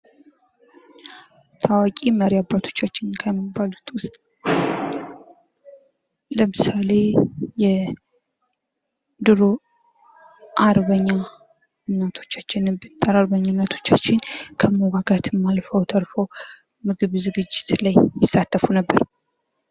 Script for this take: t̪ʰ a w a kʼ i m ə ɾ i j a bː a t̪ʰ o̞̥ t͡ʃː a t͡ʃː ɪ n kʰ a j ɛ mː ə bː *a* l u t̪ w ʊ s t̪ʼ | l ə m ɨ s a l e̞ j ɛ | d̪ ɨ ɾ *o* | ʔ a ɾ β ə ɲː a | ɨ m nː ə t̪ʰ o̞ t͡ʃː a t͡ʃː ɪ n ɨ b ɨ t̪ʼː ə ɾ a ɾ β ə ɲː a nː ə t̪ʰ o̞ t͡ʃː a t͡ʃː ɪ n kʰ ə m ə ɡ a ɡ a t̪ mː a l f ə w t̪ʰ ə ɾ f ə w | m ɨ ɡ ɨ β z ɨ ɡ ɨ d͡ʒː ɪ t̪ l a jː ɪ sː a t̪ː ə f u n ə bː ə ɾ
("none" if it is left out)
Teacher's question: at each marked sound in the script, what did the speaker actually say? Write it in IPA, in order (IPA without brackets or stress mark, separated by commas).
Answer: a, o